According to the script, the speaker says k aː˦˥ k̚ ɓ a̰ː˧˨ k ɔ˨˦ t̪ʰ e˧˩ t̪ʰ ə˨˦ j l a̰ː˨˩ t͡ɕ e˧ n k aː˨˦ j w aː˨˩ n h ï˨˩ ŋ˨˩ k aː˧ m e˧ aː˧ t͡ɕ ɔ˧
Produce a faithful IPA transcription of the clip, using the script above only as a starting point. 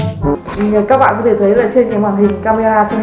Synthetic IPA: k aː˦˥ k̚ ɓ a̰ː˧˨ k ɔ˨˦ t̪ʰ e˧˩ t̪ʰ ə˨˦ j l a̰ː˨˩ t͡ɕ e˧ n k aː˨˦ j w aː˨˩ n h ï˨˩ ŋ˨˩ k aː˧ m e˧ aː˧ t͡ɕ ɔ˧